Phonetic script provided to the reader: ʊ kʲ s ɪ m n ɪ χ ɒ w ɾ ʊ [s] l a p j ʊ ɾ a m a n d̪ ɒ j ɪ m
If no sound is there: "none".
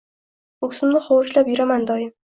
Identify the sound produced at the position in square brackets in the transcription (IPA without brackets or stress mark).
ʃ